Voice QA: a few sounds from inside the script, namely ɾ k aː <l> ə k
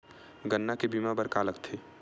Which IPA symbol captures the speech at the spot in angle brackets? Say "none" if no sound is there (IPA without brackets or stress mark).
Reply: l